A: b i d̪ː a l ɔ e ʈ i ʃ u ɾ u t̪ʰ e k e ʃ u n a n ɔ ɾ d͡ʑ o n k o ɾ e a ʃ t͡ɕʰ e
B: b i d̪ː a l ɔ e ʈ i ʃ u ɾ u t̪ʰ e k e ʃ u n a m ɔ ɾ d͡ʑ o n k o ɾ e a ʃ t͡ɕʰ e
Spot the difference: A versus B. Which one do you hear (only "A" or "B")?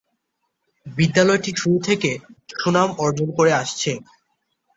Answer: B